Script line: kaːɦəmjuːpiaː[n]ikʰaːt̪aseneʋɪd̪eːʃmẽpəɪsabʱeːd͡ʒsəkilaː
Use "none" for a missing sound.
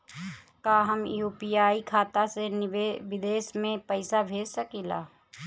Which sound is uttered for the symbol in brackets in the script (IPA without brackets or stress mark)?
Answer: none